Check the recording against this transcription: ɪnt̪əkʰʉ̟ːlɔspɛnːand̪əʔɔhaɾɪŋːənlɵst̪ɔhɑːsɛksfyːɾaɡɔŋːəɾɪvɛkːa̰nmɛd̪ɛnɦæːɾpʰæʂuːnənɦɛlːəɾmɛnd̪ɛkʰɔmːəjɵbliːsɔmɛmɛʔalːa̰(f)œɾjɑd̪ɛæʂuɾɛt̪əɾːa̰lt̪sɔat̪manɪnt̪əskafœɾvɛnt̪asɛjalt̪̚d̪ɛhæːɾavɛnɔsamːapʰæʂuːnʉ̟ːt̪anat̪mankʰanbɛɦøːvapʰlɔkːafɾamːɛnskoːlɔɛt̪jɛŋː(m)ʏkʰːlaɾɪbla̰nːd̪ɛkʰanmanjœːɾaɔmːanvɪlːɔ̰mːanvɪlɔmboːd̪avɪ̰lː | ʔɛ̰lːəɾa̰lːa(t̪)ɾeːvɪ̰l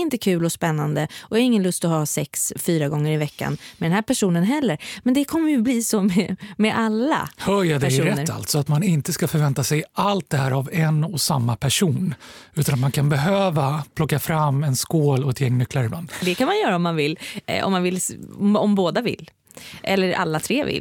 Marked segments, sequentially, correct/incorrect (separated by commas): incorrect, incorrect, incorrect